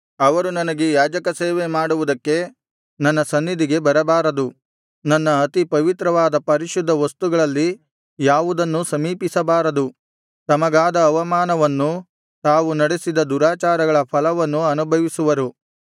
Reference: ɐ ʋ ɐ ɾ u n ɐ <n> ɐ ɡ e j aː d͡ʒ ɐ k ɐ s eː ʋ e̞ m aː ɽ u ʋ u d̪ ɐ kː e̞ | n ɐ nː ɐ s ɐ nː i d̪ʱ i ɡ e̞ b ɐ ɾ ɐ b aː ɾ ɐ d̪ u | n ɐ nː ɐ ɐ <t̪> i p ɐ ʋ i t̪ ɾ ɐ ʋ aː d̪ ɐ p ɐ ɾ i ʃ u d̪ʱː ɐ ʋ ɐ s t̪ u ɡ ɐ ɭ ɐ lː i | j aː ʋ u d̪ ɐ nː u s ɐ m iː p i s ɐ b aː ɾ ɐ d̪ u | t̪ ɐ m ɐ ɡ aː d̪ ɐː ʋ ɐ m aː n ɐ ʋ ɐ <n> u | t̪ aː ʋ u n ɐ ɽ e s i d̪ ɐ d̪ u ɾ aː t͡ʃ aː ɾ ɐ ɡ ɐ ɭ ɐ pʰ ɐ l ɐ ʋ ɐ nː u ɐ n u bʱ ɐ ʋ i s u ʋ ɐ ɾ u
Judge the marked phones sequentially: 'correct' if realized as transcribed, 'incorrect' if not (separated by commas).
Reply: correct, correct, incorrect